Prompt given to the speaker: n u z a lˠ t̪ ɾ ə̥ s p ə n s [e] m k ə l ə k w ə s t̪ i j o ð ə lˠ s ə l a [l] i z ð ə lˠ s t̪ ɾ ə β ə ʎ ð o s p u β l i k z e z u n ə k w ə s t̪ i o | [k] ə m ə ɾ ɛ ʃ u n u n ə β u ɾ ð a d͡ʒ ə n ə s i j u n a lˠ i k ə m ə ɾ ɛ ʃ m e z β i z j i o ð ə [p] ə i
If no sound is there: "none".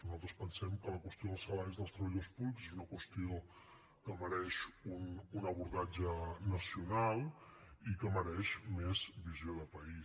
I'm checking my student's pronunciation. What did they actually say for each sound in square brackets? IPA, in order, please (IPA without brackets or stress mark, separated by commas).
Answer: ɛ, ɾ, k, p